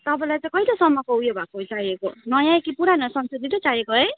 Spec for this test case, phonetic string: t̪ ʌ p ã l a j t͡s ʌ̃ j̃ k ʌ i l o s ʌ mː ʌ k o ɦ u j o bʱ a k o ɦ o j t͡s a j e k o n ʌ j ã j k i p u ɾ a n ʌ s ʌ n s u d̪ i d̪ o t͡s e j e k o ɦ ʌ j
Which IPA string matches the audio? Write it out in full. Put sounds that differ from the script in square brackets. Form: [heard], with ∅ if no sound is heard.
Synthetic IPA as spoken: t̪ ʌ p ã l a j t͡s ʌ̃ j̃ k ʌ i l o s ʌ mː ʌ k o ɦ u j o bʱ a k o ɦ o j t͡s a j e k o n ʌ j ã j k i p u ɾ a n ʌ s ʌ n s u d̪ i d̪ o t͡s [a] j e k o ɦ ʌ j